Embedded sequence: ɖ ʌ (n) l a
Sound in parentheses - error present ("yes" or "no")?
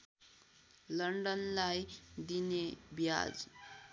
no